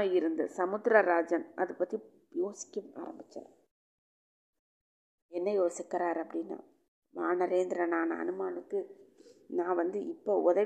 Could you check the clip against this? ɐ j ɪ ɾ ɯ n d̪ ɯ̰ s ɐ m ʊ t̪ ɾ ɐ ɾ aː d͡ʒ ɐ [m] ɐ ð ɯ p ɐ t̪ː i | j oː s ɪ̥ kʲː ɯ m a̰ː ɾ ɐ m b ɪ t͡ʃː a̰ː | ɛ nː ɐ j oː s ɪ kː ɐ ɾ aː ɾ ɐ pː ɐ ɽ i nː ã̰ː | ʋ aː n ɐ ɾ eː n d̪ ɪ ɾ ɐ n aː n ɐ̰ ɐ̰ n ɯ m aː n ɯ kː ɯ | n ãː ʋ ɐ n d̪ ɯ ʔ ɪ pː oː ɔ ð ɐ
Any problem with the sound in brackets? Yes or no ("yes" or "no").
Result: yes